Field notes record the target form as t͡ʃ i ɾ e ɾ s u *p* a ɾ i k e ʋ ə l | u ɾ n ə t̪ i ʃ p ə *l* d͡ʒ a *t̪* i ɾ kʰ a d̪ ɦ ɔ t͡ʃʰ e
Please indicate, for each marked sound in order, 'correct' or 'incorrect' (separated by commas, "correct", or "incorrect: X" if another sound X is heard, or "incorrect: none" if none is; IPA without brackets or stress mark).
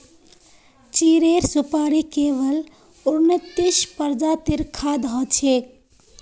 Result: correct, incorrect: ɾ, correct